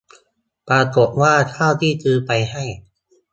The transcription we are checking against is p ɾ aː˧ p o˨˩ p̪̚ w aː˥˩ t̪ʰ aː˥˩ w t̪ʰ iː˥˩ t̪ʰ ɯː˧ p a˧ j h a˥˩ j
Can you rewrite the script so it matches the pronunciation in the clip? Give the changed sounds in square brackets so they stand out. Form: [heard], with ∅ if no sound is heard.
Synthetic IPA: p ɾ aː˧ [k] o˨˩ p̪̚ w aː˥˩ t̪ʰ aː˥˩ w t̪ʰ iː˥˩ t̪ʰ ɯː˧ p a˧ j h a˥˩ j